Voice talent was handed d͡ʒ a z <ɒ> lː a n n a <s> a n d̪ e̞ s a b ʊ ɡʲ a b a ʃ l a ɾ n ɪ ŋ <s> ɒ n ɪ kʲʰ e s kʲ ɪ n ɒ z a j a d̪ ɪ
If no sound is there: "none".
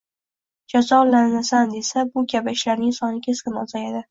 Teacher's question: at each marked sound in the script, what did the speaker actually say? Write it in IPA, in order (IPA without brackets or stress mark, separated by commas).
ɒ, s, s